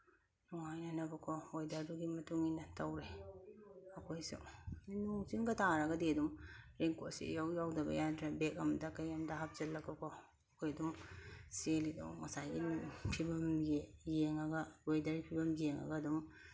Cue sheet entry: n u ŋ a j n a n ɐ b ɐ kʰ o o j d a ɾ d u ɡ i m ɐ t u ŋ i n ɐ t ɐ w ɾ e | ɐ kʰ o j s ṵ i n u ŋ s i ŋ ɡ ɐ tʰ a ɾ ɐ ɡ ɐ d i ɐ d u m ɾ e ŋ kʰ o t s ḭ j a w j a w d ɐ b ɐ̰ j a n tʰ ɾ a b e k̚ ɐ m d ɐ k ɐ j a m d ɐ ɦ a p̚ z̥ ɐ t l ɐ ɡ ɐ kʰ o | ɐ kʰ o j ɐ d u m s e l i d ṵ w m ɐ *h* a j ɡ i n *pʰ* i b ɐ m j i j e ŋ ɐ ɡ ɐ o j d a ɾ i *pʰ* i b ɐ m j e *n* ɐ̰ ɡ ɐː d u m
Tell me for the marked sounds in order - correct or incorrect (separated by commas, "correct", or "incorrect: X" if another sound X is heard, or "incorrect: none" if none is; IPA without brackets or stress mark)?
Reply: incorrect: s, correct, correct, incorrect: ŋ